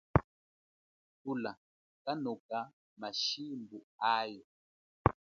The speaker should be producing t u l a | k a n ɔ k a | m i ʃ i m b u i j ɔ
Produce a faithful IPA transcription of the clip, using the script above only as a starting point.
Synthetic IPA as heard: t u l a | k a n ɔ k a | m a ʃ i m b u a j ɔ